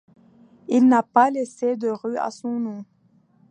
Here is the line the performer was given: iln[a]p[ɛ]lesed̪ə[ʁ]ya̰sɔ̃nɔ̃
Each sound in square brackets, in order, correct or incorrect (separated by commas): correct, incorrect, correct